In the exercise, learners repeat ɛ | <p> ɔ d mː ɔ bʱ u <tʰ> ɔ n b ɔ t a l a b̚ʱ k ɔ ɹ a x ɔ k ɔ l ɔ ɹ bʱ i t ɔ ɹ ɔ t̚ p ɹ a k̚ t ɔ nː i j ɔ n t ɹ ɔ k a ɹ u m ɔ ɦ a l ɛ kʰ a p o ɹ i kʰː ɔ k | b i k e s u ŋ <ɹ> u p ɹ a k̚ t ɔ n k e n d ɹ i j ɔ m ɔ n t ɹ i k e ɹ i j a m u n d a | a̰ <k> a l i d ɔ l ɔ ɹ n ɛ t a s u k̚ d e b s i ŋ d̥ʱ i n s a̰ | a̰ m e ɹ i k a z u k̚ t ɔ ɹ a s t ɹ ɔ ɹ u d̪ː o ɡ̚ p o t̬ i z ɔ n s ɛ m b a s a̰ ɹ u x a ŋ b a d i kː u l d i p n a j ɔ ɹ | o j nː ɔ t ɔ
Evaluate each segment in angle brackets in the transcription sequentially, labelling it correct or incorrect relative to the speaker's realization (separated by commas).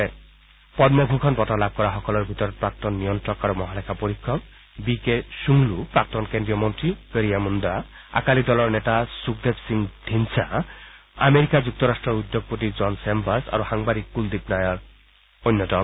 correct, incorrect, incorrect, correct